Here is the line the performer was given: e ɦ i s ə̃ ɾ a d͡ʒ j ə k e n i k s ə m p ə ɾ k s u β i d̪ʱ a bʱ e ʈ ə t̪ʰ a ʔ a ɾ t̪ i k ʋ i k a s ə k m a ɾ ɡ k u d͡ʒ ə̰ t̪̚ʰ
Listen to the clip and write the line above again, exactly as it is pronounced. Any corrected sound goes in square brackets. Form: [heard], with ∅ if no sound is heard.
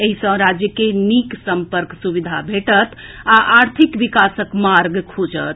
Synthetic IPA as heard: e ɦ i s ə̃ ɾ a d͡ʒ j ə k e n i k s ə m p ə ɾ k s u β i d̪ʱ a bʱ e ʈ ə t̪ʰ a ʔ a ɾ [t̪ʰ] i k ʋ i k a s ə k m a ɾ ɡ [kʰ] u d͡ʒ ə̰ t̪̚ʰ